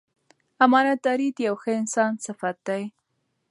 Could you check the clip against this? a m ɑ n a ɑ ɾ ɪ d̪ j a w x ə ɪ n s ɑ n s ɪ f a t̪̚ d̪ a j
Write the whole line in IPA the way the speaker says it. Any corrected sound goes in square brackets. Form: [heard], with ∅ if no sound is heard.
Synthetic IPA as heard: a m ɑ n a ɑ ɾ [i] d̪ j a w x ə ɪ n s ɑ n s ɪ f a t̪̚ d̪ a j